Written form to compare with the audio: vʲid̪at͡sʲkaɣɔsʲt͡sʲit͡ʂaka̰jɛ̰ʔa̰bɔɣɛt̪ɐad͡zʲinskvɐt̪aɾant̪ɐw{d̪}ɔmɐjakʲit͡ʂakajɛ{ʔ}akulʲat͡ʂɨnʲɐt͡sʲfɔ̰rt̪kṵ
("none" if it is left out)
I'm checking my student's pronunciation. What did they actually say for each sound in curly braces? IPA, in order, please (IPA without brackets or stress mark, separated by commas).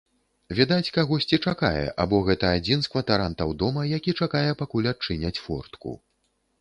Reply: d̪, p